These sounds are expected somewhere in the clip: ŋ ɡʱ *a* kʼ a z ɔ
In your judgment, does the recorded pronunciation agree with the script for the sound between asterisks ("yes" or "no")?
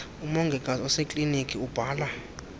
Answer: no